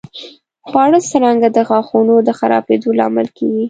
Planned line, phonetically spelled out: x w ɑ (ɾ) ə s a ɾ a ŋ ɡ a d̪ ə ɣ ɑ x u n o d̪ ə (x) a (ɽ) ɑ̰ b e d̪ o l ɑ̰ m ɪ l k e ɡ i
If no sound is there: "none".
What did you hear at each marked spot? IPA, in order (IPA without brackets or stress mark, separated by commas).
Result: ɽ, x, ɾ